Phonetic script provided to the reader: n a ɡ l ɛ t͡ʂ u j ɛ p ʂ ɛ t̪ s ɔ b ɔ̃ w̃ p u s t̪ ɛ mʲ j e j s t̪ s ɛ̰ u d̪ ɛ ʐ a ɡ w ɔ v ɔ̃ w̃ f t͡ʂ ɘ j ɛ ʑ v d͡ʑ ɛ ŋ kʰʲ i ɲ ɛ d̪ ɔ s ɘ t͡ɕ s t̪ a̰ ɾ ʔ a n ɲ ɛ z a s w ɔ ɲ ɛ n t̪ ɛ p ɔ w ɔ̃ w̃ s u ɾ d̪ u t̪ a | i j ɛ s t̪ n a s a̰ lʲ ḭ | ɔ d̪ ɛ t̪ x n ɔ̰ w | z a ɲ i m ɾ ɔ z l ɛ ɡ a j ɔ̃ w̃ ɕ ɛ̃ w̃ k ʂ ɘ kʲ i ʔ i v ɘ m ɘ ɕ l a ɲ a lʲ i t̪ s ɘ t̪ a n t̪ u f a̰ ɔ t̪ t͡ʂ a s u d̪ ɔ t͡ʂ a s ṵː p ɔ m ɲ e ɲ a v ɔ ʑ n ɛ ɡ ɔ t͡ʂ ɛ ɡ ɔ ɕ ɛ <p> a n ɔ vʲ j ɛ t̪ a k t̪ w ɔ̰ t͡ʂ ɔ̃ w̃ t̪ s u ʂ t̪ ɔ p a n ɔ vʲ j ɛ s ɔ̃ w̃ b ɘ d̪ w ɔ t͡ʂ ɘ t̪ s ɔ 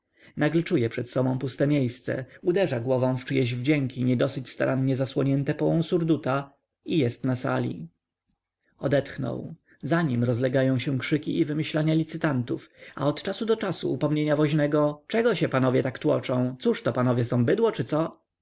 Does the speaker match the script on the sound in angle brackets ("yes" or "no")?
yes